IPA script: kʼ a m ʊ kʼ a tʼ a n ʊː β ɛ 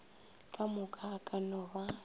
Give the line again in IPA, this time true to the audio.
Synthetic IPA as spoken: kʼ a m ʊ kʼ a kʼ a n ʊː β a